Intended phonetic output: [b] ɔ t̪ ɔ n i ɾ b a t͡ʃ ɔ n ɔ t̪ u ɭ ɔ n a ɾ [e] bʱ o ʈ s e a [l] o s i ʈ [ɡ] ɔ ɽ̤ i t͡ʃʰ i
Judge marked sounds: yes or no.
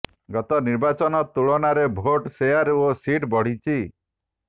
no, yes, no, no

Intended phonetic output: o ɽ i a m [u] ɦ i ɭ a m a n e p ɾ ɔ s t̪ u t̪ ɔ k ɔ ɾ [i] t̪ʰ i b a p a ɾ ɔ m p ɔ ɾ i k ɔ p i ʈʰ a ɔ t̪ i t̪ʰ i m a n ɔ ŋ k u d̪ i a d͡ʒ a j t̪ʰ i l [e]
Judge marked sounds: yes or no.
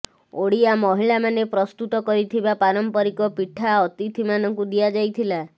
no, yes, no

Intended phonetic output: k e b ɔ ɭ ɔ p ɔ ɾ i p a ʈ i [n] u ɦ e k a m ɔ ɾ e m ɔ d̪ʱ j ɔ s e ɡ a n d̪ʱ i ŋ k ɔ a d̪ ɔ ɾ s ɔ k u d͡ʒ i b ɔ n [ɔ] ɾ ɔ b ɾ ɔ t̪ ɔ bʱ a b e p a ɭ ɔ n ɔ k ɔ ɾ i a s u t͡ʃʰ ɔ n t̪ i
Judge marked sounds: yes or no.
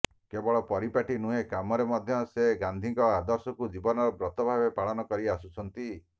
yes, yes

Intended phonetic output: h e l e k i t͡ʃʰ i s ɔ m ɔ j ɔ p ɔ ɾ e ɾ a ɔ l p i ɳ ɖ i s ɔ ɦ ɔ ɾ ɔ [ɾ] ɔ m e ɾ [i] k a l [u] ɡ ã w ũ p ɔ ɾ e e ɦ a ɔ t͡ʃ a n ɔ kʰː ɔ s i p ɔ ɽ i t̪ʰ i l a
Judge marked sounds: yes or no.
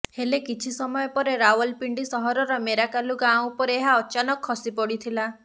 yes, no, yes

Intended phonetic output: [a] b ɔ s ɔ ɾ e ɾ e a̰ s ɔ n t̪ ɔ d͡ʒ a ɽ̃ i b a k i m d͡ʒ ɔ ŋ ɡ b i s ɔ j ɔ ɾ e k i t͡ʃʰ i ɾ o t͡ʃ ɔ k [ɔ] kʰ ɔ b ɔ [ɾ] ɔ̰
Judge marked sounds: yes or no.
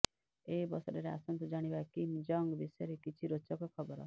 no, yes, yes

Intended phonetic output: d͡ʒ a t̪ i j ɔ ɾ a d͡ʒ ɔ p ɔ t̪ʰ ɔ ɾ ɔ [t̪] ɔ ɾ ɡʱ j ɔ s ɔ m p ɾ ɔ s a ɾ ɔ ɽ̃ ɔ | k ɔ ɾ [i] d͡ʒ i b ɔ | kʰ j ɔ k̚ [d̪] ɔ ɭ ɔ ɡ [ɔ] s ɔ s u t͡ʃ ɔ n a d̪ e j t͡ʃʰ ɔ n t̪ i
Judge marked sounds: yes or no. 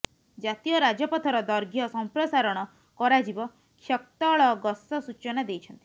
no, no, no, yes

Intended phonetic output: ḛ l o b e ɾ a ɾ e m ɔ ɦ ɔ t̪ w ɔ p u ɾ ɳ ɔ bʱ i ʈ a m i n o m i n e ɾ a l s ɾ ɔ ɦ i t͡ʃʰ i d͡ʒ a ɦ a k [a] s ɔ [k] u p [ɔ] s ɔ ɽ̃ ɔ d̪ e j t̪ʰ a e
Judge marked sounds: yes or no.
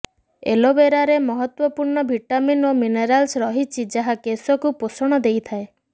no, yes, no

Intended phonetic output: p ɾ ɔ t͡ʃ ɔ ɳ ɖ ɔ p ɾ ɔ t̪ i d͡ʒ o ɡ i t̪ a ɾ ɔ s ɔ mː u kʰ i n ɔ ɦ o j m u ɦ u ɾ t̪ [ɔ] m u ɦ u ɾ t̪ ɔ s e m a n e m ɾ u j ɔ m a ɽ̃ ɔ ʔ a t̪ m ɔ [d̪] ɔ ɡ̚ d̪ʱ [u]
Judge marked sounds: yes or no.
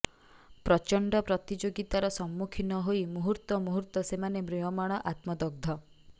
yes, yes, no

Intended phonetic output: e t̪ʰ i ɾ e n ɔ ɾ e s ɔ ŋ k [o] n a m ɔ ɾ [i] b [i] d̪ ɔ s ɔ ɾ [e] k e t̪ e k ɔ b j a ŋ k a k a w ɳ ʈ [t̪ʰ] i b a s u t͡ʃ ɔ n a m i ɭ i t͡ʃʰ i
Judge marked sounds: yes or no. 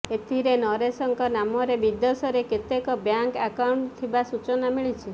no, no, yes, yes, yes

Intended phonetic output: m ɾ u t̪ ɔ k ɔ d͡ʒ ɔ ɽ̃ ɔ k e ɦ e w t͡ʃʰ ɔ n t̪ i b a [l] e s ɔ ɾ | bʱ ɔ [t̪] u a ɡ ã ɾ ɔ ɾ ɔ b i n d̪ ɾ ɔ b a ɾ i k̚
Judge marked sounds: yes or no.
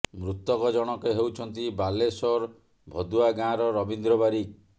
yes, no

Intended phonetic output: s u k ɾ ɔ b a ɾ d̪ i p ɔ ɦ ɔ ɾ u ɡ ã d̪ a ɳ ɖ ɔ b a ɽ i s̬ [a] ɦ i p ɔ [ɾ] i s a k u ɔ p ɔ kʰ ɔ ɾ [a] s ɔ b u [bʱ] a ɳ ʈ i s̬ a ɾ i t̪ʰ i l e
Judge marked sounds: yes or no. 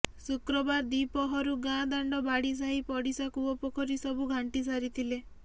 yes, no, no, no

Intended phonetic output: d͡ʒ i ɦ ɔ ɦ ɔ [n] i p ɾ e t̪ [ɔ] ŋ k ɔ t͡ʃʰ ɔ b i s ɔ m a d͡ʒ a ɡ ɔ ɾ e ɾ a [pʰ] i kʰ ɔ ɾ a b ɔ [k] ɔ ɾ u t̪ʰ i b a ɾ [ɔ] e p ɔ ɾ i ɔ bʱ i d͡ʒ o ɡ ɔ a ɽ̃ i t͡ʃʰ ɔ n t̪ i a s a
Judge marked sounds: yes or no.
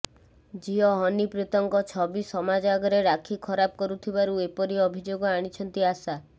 yes, yes, no, yes, no

